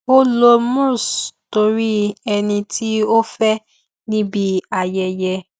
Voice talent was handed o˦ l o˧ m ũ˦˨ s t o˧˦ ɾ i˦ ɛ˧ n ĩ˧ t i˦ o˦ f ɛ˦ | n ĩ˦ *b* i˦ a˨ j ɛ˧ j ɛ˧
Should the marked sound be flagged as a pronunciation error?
no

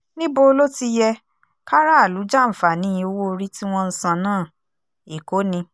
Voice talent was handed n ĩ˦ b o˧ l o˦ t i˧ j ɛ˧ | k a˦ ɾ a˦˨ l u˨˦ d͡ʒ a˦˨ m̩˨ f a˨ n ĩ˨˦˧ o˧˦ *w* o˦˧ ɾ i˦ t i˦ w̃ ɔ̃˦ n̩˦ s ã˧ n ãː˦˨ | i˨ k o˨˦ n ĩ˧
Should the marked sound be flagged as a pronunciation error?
no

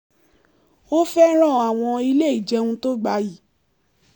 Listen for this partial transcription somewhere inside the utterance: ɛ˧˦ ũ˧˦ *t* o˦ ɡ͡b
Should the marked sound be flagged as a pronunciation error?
no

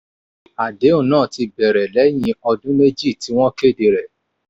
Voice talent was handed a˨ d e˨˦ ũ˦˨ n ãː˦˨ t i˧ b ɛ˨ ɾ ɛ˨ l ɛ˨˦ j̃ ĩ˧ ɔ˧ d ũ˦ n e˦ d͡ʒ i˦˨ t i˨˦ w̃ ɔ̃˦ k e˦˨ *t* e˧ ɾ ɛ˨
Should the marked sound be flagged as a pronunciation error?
yes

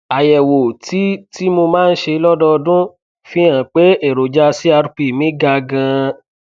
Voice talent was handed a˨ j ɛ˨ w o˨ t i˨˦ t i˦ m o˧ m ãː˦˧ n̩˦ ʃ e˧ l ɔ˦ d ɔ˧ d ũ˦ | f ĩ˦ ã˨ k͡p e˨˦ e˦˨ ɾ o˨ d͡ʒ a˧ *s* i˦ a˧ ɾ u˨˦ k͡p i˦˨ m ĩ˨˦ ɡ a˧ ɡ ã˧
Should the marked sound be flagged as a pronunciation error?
no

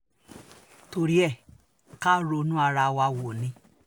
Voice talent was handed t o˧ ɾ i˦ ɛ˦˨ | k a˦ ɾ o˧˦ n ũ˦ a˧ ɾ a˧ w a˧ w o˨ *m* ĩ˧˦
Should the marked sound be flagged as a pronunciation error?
yes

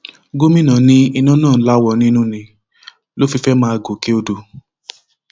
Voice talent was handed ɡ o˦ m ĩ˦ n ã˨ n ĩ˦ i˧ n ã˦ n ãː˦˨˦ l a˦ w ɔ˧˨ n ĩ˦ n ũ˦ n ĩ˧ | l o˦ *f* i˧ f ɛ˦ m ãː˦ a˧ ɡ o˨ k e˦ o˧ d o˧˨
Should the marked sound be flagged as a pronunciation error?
no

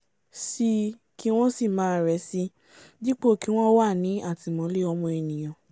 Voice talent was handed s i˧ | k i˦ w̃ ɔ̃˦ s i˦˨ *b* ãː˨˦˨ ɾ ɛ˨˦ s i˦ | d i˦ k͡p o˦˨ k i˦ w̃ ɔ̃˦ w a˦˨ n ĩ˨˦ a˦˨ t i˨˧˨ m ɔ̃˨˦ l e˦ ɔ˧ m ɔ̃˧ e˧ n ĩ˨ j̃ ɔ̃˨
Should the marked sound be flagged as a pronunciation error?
yes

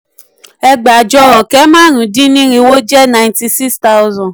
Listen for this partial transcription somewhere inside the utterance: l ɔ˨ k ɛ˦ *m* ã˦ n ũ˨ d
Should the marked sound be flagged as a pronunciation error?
no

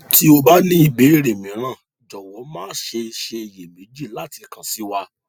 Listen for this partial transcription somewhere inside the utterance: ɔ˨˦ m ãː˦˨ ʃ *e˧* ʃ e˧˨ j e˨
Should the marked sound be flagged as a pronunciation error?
no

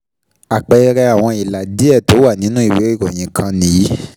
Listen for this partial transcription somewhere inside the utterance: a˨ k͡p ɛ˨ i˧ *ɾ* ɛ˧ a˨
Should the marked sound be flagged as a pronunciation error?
no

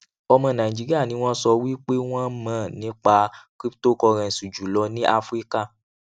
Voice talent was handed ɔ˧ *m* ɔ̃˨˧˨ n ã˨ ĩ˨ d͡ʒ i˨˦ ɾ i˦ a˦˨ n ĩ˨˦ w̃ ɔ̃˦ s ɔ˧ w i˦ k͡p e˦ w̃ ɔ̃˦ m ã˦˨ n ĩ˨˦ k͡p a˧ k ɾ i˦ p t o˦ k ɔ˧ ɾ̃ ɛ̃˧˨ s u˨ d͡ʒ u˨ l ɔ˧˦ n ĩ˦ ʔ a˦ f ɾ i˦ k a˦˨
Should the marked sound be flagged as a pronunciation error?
no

